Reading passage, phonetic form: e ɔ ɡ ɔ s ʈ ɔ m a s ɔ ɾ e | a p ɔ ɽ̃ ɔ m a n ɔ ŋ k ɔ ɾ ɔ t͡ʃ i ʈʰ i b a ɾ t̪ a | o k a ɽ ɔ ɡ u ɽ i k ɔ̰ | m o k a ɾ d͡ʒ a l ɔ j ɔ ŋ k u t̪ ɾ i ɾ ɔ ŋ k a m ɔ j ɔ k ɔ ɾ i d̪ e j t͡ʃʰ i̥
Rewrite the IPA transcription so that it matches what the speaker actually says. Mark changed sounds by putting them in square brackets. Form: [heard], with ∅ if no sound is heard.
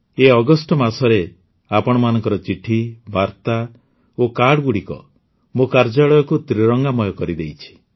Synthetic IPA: e ɔ ɡ ɔ s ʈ ɔ m a s ɔ ɾ e | a p ɔ ɽ̃ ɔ m a n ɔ ŋ k ɔ ɾ ɔ t͡ʃ i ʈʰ i b a ɾ t̪ a | o k a ɽ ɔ ɡ u ɽ i k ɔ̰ | m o k a ɾ d͡ʒ a [ɭ] ɔ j ɔ [∅] k u t̪ ɾ i ɾ ɔ ŋ [ɡ] a m ɔ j ɔ k ɔ ɾ i d̪ e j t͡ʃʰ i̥